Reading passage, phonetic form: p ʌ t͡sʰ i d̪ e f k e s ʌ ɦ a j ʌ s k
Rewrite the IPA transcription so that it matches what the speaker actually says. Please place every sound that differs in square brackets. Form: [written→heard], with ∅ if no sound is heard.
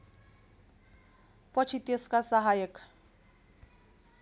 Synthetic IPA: p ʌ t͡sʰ i [d̪→t̪] e [f→s] k [e→a] s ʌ ɦ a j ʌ [s→∅] k